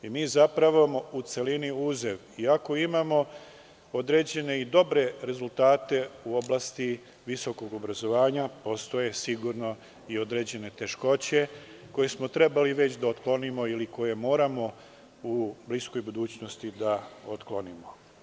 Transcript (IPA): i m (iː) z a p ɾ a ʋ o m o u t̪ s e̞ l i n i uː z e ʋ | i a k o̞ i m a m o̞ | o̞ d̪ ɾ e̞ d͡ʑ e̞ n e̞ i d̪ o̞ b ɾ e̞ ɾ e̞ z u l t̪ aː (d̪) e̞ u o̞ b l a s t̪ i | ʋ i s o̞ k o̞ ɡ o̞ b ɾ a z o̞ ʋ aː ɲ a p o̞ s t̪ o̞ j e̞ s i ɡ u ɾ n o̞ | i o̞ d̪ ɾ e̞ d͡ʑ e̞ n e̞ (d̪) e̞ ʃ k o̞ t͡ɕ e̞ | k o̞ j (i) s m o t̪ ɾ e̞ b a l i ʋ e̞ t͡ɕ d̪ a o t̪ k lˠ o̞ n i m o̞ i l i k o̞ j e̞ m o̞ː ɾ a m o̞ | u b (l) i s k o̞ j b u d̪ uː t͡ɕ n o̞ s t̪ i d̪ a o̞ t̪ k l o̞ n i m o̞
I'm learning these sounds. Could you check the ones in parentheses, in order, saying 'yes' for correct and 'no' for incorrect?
yes, no, no, no, yes

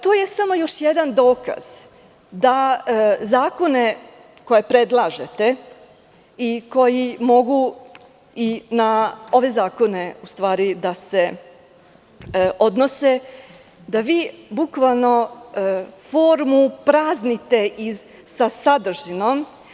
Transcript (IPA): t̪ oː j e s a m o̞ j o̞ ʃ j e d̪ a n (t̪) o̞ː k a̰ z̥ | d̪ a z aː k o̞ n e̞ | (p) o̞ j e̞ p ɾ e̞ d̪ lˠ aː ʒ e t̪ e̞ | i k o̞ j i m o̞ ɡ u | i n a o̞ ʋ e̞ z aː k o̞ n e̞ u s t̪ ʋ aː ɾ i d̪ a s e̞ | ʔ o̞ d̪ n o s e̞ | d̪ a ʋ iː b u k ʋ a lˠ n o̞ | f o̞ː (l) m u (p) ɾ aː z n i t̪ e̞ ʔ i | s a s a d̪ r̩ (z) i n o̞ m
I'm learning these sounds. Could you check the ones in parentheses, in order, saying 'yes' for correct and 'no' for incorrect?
no, no, no, yes, no

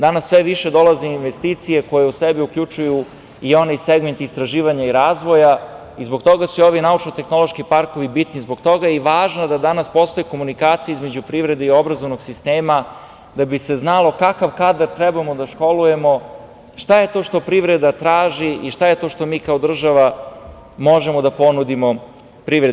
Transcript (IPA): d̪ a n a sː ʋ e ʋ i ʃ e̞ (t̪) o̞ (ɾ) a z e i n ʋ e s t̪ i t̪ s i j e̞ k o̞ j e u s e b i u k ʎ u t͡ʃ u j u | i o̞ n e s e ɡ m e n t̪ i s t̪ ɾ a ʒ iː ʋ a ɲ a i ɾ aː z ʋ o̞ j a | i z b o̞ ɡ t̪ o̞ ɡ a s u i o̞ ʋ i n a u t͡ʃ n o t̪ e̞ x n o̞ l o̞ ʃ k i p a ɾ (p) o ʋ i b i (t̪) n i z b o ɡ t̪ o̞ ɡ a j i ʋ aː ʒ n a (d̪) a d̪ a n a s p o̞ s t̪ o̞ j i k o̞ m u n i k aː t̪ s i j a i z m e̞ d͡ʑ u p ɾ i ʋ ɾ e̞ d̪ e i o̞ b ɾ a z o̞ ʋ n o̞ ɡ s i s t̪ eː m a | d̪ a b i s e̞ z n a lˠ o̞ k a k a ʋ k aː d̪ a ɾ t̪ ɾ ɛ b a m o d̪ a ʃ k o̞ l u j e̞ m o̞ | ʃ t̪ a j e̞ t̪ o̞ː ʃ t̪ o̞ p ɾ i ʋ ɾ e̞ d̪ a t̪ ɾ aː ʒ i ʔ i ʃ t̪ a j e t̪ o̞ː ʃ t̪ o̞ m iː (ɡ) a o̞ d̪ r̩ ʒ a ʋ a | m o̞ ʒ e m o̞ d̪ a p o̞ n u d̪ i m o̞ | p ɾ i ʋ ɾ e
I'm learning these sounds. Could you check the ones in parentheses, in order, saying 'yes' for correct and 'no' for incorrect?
no, no, no, yes, yes, no

